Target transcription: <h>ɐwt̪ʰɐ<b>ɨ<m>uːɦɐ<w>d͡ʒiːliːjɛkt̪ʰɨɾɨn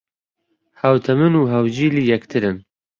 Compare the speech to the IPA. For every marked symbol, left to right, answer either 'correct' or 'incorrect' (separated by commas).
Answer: correct, incorrect, incorrect, correct